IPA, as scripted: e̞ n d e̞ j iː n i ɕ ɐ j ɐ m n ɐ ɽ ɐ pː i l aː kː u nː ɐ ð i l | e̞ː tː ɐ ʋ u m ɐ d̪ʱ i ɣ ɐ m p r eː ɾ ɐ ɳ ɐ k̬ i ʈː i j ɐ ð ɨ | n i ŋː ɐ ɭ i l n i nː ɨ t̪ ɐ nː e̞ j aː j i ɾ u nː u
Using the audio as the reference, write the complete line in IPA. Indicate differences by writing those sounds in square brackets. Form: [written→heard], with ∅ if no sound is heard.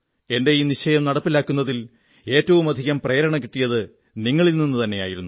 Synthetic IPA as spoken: e̞ n d e̞ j iː n i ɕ ɐ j ɐ m n ɐ ɽ ɐ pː i l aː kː u nː ɐ ð i l | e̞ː tː ɐ ʋ u m ɐ d̪ʱ i ɣ ɐ m p r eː ɾ ɐ ɳ ɐ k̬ i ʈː i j ɐ ð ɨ | n i ŋː ɐ ɭ i l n i nː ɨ t̪ ɐ nː e̞ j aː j i ɾ u nː u